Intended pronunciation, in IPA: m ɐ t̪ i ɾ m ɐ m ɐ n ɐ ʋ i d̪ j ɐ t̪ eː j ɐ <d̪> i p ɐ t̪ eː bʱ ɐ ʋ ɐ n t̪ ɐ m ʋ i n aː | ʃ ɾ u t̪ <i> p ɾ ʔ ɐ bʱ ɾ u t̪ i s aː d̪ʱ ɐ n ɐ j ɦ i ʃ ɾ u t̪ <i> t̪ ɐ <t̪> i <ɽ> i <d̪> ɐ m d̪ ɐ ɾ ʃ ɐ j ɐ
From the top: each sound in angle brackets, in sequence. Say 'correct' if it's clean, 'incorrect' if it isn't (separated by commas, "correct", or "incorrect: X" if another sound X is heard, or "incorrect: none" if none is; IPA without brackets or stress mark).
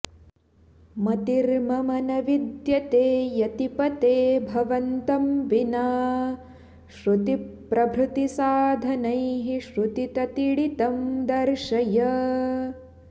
incorrect: t̪, correct, correct, correct, correct, incorrect: t̪